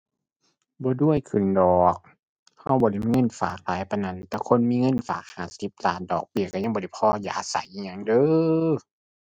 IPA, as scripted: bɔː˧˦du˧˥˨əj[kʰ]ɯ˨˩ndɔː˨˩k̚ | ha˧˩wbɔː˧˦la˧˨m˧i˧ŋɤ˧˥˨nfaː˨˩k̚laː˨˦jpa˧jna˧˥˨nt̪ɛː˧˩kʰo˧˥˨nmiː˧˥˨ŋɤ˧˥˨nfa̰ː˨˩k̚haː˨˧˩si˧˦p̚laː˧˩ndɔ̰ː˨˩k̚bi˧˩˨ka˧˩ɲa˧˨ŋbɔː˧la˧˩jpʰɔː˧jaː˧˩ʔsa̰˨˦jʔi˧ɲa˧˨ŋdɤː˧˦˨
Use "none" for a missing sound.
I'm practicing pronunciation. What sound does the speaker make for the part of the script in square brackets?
kʰ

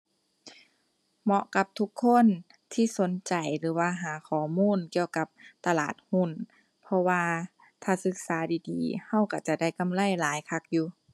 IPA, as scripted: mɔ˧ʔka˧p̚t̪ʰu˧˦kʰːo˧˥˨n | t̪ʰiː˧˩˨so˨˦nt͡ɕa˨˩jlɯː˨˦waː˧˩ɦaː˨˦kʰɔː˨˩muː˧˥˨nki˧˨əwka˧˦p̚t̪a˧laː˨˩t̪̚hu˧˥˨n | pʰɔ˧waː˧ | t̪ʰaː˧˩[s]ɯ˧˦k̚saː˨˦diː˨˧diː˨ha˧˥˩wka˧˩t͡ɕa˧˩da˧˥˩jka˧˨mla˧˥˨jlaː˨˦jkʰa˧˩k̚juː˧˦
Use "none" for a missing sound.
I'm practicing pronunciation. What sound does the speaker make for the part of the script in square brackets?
s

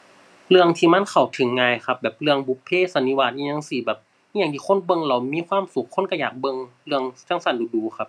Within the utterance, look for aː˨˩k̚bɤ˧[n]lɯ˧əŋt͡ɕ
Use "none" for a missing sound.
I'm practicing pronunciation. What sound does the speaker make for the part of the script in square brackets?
ŋ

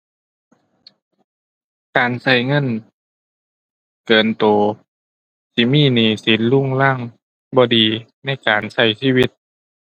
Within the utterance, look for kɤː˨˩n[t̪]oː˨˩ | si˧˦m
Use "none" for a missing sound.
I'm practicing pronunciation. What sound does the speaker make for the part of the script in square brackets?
t̪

